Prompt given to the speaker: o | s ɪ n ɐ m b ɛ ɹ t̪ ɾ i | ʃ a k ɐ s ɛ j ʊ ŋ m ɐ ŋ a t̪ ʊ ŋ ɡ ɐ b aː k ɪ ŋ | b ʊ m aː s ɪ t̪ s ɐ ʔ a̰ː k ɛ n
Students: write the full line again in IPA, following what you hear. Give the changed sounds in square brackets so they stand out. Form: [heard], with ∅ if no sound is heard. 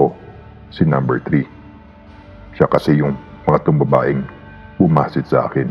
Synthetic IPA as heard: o | s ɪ n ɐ m b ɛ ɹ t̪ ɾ i | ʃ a k ɐ s ɛ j ʊ ŋ m ɐ ŋ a t̪ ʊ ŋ [b] ɐ b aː [ʔ] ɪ ŋ | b ʊ m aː s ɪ t̪ s ɐ ʔ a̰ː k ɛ n